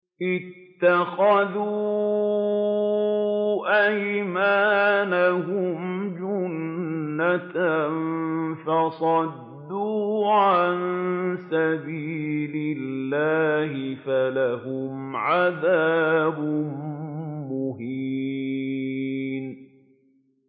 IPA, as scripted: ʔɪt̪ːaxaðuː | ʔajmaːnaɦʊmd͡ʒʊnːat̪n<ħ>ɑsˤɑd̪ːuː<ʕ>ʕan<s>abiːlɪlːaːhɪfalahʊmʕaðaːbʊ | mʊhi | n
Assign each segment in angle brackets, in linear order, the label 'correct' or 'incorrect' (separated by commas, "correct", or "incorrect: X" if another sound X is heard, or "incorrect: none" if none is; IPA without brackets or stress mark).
incorrect: f, correct, correct